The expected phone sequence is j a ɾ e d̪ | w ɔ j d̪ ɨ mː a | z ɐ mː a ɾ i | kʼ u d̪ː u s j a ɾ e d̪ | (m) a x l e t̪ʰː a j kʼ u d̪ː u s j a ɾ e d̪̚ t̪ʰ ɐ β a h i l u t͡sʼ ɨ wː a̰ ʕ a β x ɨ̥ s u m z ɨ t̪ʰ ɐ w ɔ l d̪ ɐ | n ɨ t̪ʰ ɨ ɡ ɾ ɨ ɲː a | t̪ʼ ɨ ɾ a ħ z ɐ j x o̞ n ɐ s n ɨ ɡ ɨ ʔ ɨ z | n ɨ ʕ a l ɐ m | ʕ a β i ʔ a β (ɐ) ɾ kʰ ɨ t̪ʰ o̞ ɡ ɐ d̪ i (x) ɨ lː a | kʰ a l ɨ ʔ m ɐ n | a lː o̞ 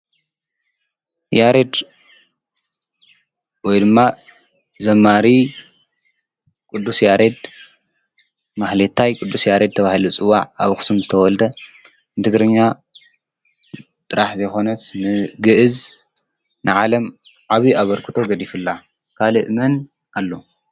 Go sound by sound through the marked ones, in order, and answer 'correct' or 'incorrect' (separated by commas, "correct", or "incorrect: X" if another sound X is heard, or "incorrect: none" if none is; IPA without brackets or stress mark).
correct, correct, incorrect: f